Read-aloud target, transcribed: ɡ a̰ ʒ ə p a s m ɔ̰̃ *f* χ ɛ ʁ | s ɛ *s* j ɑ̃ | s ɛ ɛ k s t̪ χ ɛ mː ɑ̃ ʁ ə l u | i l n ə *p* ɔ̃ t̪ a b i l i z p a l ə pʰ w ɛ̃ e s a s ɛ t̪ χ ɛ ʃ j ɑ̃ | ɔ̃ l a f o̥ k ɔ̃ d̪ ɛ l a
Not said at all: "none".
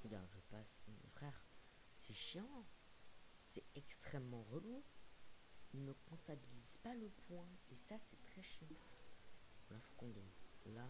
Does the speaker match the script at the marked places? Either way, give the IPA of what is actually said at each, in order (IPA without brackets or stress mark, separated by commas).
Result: f, ʃ, k